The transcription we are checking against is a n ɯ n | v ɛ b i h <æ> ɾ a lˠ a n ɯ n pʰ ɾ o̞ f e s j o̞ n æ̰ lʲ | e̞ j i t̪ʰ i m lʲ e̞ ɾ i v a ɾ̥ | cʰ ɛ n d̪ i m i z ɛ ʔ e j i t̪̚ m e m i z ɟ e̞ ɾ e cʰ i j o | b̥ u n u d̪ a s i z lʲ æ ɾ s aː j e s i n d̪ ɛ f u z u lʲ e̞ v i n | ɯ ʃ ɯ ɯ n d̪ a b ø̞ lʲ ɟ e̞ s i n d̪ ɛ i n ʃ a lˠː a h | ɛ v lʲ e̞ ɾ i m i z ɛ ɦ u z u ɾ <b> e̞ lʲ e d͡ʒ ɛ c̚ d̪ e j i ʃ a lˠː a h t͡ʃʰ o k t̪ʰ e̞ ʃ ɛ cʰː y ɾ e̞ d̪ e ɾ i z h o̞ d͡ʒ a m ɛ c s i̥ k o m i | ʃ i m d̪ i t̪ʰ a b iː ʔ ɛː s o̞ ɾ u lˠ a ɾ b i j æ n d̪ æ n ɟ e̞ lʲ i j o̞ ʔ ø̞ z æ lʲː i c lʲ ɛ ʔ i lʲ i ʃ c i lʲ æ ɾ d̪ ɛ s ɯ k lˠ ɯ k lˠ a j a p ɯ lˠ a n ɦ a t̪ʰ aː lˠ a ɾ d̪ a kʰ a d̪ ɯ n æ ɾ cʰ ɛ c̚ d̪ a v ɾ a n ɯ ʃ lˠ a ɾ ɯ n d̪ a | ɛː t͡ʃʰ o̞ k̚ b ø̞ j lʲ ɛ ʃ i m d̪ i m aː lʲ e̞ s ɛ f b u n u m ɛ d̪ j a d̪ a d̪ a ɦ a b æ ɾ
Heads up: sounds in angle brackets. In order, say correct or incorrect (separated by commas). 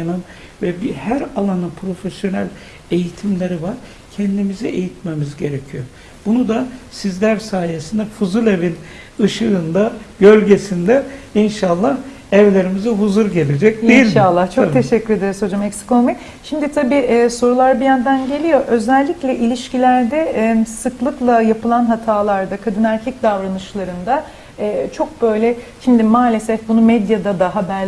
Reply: correct, incorrect